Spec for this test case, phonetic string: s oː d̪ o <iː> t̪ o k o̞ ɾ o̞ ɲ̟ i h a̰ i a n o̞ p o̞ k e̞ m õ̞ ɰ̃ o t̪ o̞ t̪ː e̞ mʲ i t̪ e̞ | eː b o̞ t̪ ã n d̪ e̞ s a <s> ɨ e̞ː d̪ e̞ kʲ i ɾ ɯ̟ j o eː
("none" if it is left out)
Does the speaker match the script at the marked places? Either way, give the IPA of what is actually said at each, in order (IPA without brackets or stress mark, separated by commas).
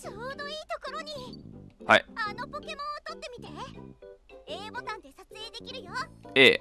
iː, t͡s